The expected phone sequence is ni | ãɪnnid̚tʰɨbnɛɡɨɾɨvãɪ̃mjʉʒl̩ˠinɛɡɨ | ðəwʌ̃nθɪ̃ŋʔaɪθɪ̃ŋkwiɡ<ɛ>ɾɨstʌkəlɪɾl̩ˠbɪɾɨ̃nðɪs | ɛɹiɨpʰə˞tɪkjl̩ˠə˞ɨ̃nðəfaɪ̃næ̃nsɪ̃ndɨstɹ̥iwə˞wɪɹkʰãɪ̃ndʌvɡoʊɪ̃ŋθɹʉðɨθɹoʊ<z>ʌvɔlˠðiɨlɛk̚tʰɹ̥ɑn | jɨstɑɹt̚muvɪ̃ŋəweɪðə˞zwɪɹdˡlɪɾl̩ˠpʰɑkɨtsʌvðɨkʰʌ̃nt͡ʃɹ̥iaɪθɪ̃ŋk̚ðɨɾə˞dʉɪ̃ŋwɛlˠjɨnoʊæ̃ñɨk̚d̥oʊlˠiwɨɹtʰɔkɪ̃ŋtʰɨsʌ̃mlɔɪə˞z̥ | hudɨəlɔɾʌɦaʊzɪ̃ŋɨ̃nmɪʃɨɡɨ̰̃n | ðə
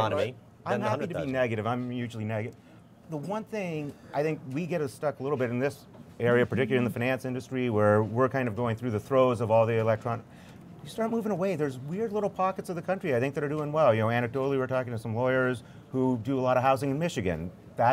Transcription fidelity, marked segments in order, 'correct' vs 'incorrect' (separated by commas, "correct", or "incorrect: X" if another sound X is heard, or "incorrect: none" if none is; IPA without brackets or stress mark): correct, correct